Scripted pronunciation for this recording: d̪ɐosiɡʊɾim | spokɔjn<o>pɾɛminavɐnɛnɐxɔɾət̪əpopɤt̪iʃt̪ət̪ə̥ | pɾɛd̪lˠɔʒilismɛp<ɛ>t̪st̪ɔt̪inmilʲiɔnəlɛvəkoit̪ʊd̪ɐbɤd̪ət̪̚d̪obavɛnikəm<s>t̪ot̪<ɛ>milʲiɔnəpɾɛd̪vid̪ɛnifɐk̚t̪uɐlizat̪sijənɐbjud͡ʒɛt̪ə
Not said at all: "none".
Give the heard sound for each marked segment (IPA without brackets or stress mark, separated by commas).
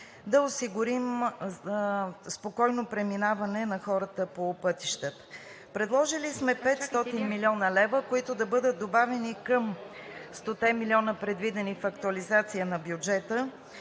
o, ɛ, s, ɛ